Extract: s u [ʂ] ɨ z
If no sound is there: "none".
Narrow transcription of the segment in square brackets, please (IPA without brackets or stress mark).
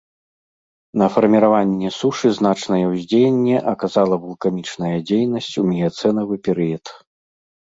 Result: ʂ